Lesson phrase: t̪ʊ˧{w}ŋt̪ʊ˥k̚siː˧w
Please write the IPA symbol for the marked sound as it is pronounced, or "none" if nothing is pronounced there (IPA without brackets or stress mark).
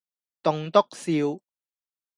none